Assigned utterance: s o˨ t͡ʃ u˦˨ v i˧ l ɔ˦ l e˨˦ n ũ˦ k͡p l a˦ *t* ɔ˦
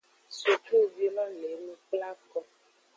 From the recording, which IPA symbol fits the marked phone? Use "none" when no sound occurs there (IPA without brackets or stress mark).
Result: k